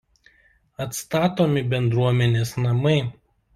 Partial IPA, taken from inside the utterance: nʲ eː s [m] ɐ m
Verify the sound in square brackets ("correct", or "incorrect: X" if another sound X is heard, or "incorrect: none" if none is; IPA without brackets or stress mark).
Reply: incorrect: n